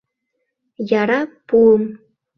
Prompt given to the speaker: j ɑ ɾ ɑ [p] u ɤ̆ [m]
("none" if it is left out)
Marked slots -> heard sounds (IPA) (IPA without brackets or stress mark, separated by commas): p, m